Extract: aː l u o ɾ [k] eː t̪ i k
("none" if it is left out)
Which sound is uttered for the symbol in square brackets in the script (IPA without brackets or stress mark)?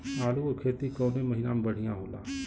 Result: kʰ